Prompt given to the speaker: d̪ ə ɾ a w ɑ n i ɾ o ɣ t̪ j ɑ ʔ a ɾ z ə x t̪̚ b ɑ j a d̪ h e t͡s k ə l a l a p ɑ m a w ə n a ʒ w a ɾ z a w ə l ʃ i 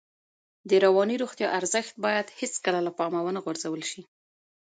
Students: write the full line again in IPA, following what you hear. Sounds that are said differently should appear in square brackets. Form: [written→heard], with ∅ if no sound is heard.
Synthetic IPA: d̪ ə ɾ a w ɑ n i ɾ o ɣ t̪ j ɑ ʔ a ɾ z ə x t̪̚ b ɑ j a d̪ h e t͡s k ə l a l a p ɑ m a w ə n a [ʒ→ɣ] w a ɾ z a w ə l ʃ i